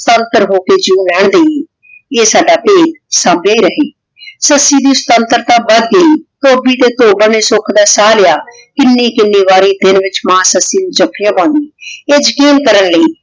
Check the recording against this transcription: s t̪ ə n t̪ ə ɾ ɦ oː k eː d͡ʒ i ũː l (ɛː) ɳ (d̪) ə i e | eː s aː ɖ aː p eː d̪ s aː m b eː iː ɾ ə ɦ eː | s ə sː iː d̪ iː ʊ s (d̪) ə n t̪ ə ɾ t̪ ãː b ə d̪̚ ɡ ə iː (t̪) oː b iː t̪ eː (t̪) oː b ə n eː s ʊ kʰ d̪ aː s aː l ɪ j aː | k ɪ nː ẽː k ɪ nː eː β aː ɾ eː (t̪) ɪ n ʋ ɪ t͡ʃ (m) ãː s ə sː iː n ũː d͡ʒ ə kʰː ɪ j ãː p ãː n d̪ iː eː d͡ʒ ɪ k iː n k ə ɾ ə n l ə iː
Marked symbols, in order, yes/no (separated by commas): yes, yes, no, yes, yes, no, yes